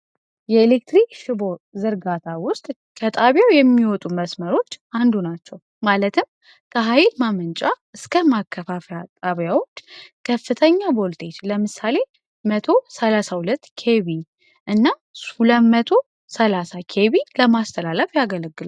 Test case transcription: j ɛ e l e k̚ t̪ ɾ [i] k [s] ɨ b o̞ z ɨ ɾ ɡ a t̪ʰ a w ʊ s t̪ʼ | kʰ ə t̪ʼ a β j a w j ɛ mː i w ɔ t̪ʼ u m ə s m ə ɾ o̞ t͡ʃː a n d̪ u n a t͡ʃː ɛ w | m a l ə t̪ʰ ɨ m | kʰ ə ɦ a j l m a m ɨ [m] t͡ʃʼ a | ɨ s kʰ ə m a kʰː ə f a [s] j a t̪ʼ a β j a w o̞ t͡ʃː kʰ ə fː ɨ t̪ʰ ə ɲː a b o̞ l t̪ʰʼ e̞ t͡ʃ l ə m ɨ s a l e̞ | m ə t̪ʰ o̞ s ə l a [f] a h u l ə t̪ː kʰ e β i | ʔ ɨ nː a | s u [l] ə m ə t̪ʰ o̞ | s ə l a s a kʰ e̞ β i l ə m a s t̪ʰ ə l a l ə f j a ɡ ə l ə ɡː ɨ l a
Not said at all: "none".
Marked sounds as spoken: i, ʃ, n, f, s, l

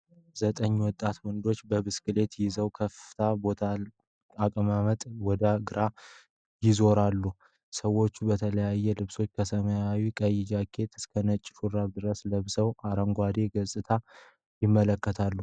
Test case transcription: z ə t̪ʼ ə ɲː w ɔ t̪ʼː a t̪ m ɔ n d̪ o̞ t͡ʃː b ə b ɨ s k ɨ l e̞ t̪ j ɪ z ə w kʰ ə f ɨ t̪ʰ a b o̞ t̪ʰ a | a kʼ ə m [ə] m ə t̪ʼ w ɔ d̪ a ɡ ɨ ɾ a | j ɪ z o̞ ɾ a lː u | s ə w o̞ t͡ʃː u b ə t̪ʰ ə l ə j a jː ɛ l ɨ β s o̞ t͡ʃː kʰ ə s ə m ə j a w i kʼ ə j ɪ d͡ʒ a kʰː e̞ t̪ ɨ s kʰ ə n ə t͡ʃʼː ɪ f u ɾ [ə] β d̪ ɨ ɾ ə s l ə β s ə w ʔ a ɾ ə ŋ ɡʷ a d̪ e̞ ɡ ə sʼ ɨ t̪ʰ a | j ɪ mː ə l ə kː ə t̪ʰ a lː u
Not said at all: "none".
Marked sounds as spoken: a, a

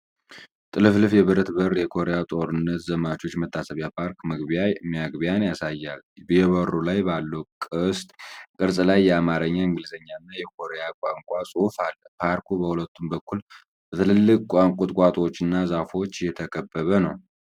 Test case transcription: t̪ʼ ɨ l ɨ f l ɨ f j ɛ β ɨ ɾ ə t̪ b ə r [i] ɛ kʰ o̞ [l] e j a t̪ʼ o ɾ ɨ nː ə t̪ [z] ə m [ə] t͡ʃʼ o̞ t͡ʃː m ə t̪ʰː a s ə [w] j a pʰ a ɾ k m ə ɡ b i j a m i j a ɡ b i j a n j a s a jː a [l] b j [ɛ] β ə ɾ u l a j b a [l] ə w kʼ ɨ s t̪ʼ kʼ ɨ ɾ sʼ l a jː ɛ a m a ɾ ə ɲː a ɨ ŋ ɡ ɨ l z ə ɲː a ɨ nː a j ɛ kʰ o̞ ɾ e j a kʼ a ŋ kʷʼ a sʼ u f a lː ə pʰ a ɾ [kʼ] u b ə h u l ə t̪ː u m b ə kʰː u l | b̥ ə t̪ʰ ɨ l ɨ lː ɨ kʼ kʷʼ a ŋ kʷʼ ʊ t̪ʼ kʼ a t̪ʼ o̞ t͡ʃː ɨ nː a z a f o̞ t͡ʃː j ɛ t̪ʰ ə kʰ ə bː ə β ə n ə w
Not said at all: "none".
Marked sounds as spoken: j, ɾ, z, a, β, l, ɛ, lː, k

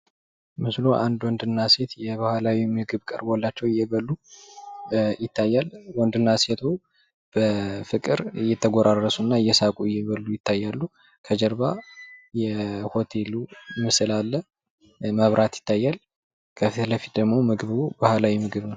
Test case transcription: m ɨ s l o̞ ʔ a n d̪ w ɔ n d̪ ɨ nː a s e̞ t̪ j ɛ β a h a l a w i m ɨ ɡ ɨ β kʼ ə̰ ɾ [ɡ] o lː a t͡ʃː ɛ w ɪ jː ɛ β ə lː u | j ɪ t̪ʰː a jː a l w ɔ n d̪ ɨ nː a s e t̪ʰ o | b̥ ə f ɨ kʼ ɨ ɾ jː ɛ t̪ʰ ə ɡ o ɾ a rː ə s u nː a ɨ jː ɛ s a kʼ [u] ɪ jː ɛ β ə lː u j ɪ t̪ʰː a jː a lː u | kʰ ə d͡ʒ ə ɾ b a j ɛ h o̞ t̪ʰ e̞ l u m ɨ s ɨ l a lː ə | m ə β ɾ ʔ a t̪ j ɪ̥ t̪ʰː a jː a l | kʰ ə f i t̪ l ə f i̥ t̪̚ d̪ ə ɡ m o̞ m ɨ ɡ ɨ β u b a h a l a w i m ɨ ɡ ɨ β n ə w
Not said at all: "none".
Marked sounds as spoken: b, u

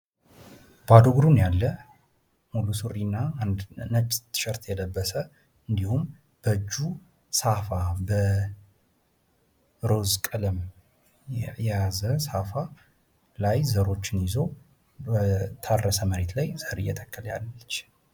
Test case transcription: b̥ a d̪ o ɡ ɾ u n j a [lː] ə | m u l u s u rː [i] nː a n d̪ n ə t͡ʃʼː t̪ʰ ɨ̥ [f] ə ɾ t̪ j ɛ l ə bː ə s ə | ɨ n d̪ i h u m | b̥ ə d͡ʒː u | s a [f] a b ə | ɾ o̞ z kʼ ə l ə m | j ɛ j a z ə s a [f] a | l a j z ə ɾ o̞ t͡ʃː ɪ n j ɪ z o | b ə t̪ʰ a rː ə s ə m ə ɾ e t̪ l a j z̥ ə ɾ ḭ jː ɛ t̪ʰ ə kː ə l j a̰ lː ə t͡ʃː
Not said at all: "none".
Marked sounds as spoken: lː, i, ʃ, f, f

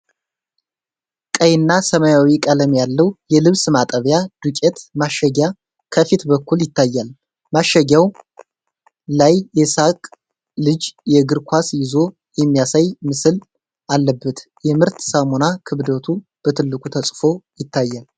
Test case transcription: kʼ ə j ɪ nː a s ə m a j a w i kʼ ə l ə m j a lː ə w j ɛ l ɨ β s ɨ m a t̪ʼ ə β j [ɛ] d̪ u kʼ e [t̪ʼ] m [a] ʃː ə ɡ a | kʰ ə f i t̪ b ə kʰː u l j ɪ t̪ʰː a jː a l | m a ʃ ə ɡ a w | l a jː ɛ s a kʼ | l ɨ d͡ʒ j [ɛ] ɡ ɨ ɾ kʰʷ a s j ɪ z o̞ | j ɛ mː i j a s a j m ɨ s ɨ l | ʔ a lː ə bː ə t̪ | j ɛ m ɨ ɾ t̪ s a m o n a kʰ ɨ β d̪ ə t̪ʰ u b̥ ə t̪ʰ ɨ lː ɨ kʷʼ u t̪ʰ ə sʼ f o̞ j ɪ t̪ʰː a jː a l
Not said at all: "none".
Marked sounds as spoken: a, t̪, a, ɛ

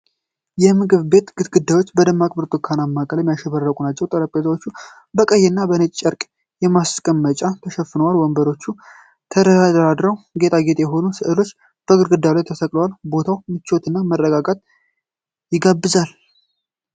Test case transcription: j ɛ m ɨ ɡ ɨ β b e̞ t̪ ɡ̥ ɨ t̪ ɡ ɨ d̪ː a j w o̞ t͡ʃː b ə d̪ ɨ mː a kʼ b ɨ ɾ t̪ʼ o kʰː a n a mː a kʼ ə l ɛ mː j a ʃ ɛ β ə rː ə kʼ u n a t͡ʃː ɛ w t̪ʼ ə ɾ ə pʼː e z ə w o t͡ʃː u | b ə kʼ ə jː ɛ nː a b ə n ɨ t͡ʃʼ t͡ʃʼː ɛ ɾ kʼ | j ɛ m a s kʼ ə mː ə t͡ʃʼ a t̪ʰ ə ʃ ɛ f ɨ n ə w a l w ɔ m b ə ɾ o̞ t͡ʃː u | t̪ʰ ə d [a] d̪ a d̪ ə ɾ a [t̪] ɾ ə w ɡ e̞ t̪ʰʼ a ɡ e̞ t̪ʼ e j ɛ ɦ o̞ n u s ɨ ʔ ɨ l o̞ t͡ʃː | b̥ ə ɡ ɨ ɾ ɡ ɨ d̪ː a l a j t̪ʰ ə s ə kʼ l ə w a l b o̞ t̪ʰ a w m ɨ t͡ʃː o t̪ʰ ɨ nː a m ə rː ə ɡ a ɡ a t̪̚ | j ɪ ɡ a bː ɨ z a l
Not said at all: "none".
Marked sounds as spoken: ə, d̪

